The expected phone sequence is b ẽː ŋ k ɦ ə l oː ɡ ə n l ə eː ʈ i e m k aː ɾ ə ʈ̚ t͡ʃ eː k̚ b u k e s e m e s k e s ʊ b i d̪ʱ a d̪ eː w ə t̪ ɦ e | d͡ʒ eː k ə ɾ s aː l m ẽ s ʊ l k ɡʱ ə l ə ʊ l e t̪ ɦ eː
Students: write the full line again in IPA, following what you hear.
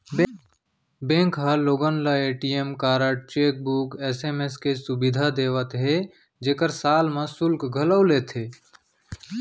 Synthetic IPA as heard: b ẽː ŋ k ɦ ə l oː ɡ ə n l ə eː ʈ i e m k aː ɾ ə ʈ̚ t͡ʃ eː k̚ b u k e s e m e s k e s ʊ b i d̪ʱ a d̪ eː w ə t̪ ɦ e | d͡ʒ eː k ə ɾ s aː l m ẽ s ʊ l k ɡʱ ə l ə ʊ l e t̪ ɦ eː